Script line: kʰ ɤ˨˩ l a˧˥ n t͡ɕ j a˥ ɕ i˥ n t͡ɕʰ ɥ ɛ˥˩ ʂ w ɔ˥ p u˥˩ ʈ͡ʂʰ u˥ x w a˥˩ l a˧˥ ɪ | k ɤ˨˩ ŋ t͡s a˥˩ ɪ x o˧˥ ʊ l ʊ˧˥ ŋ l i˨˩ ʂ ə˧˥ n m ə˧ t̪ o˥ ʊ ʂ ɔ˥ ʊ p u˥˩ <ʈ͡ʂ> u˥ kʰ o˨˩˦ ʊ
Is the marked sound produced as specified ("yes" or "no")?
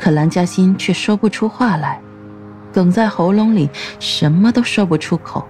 no